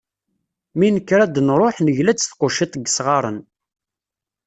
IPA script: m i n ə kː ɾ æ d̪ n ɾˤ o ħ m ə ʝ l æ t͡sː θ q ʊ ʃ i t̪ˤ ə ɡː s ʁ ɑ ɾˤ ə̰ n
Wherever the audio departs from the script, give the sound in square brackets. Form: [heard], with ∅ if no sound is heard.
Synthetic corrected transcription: m i n ə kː ɾ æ d̪ n ɾˤ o ħ [n] ə ʝ l æ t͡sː θ q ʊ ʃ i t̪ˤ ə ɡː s ʁ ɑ ɾˤ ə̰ n